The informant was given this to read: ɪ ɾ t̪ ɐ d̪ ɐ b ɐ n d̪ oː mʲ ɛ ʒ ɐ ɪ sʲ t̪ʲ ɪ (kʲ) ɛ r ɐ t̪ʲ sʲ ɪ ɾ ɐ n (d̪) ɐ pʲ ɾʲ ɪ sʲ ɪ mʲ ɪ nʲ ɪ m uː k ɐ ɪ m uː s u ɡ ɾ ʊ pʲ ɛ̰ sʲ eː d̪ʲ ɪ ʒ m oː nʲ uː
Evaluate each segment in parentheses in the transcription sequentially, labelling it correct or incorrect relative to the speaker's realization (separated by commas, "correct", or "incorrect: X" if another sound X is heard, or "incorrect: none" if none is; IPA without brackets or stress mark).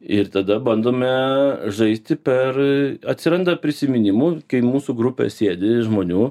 incorrect: pʲ, correct